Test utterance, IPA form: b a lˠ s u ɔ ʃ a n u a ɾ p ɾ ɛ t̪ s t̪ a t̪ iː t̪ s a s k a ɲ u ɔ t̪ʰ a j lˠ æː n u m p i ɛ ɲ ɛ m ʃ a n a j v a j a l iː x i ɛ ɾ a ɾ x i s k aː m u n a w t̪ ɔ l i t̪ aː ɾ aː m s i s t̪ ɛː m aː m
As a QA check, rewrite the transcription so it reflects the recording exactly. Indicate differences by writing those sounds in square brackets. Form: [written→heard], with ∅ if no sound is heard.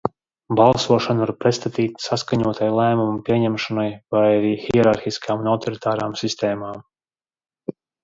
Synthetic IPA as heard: b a lˠ s u ɔ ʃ a n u a ɾ p ɾ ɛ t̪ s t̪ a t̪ iː t̪ s a s k a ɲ u ɔ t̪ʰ a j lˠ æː [n→m] u m p i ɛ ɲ ɛ m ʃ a n a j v a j a [l→ɾ] iː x i ɛ ɾ a ɾ x i s k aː m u n a w t̪ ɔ [l→ɾ] i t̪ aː ɾ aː m s i s t̪ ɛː m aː m

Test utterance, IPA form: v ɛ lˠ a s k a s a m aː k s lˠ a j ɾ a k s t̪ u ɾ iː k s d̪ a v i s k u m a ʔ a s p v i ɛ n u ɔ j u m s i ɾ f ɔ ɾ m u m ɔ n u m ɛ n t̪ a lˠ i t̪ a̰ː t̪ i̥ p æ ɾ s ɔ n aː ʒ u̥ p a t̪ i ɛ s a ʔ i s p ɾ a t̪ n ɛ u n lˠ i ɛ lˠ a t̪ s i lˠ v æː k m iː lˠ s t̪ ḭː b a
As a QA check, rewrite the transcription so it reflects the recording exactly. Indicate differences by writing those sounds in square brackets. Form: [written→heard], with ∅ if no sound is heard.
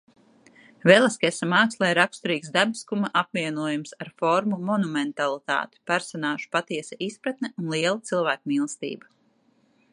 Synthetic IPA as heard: v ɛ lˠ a s k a s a m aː k s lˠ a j ɾ a k s t̪ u ɾ iː k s d̪ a [v→b] i s k u m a ʔ a [s→∅] p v i ɛ n u ɔ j u m s [i→a] ɾ f ɔ ɾ m u m ɔ n u m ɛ n t̪ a lˠ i t̪ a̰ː t̪ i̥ p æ ɾ s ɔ n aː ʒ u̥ p a t̪ i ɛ s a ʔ i s p ɾ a t̪ n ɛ u n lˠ i ɛ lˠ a t̪ s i lˠ v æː k m iː lˠ s t̪ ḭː b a

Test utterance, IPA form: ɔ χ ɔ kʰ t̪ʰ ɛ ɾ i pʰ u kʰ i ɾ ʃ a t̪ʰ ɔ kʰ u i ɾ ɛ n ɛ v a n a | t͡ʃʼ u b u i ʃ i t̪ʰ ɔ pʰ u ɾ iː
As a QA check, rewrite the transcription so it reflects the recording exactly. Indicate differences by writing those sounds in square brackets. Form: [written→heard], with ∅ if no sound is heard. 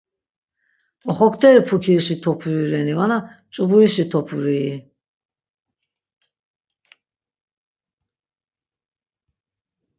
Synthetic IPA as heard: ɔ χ ɔ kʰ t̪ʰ ɛ ɾ i pʰ u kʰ i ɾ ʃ [a→i] t̪ʰ ɔ [kʰ→pʰ] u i ɾ ɛ n [ɛ→i] v a n a | t͡ʃʼ u b u i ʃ i t̪ʰ ɔ pʰ u ɾ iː

